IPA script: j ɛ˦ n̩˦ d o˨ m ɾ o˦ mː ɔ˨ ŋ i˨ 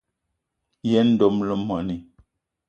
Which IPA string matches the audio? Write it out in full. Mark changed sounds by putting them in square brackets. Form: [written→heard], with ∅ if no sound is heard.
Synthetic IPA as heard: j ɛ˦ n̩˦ d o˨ m [ɾ→l] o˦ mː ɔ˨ [ŋ→n] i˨